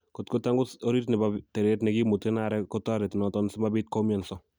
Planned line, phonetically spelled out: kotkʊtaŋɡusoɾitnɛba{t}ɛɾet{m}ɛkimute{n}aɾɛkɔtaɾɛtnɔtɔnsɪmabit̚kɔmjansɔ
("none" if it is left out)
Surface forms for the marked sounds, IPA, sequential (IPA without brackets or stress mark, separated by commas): t, n, n